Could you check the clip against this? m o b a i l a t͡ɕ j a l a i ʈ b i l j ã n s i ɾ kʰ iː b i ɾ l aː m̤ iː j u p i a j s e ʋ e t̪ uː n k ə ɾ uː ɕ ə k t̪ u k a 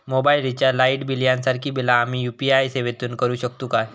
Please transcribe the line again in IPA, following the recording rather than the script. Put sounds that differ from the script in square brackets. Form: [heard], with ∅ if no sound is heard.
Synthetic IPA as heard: m o b a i l [i] t͡ɕ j a l a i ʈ b i l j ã n s [a] ɾ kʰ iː b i [∅] l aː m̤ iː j u p i a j s e ʋ e t̪ uː n k ə ɾ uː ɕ ə k t̪ u k a